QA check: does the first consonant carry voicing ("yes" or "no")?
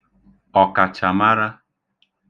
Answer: no